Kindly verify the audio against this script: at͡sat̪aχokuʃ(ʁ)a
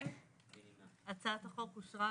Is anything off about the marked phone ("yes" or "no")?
no